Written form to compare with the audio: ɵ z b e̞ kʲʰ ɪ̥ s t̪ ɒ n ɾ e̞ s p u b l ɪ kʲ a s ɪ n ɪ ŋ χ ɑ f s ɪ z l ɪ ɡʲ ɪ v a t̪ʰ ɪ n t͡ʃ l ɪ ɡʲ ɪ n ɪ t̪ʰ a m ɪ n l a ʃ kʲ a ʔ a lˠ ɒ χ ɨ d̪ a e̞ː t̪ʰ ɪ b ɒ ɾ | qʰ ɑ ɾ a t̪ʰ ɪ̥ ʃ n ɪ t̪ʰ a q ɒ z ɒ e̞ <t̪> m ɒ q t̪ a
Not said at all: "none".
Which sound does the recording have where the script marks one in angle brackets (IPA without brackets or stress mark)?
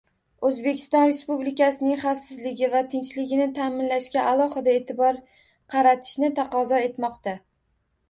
t̪